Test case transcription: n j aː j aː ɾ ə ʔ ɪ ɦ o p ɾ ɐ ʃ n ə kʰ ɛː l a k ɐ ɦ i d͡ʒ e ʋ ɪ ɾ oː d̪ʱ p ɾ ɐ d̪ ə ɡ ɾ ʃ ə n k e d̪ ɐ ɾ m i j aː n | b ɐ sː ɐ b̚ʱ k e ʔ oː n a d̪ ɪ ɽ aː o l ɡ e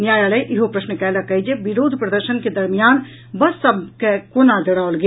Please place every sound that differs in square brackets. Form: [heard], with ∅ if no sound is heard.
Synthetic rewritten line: n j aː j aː [l] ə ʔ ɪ ɦ o p ɾ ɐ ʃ n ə [k] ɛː l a k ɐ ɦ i d͡ʒ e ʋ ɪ ɾ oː d̪ʱ p ɾ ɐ d̪ ə [∅] ɾ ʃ ə n k e d̪ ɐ ɾ m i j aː n | b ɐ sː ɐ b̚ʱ k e [k] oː n a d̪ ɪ ɽ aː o l ɡ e